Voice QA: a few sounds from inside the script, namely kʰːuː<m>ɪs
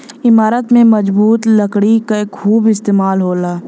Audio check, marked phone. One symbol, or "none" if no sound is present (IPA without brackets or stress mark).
b